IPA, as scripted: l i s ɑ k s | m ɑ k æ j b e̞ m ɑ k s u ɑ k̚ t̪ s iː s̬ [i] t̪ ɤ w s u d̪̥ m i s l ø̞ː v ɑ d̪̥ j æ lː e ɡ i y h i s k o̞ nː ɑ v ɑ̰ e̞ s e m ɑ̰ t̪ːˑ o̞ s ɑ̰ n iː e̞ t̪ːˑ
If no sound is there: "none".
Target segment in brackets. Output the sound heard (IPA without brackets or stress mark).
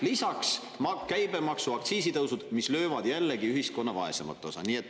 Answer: i